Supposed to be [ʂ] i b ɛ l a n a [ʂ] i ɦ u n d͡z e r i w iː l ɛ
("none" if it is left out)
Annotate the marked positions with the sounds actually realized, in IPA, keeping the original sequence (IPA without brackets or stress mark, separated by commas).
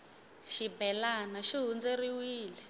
ʃ, ʃ